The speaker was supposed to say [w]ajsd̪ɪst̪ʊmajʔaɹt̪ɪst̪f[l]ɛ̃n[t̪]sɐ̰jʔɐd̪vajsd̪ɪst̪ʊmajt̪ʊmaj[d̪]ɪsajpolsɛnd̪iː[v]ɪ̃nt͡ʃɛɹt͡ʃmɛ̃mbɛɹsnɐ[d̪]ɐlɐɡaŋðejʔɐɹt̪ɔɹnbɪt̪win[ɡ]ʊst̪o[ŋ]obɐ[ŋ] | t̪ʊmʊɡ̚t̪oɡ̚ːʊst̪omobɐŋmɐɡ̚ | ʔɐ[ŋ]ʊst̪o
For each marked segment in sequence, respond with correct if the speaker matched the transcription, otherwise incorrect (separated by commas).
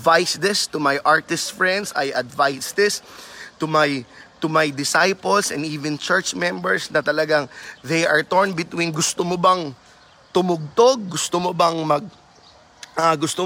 incorrect, incorrect, incorrect, correct, correct, incorrect, correct, incorrect, correct, incorrect